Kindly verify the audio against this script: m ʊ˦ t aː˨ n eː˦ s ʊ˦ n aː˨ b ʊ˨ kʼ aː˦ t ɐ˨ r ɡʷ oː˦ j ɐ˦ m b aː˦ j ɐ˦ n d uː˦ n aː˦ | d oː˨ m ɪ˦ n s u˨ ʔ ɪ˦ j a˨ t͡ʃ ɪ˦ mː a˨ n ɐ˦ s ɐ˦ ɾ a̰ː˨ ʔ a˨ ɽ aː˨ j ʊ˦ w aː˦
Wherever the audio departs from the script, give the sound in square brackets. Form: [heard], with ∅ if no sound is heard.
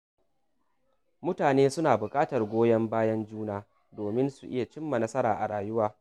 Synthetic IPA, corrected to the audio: m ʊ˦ t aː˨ n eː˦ s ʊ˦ n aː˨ b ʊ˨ kʼ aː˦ t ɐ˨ r ɡʷ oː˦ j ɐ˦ m b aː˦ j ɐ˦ n [d͡ʒ] uː˦ n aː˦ | d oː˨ m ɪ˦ n s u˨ ʔ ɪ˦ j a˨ t͡ʃ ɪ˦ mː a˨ n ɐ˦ s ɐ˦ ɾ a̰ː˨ ʔ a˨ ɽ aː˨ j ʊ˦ w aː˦